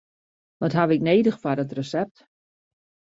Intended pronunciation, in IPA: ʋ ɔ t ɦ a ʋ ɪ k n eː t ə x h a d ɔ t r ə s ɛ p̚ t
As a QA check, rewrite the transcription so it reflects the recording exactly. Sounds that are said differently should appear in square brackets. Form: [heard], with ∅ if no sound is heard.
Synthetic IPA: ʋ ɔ t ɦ a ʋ ɪ k n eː [d] ə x [f] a d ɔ t r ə s ɛ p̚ t